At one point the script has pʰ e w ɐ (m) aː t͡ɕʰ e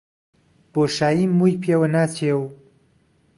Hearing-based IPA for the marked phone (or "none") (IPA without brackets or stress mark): n